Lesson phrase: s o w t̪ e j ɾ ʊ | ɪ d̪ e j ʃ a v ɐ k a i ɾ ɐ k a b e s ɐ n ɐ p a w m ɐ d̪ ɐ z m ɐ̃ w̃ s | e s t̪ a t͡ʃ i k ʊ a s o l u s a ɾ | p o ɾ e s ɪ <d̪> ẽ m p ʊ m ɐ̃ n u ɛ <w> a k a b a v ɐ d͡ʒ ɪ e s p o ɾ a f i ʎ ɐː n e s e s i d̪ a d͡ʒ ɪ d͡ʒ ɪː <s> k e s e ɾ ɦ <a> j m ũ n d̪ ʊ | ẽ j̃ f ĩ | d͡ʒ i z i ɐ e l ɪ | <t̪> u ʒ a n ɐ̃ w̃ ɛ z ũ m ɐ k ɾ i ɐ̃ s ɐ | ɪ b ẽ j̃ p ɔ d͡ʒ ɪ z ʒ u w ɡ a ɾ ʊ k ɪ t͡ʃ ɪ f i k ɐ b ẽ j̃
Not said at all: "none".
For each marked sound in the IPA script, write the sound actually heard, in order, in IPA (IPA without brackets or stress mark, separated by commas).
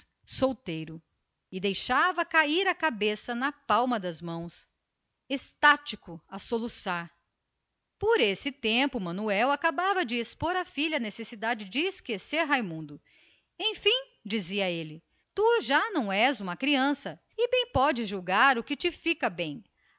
t̪, w, s, a, t̪